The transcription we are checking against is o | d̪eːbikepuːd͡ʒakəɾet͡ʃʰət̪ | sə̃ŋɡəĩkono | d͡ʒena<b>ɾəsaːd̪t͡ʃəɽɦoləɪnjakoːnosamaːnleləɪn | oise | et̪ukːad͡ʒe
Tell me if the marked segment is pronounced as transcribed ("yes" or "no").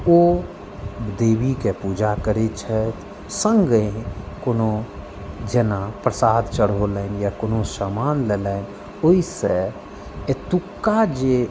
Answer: no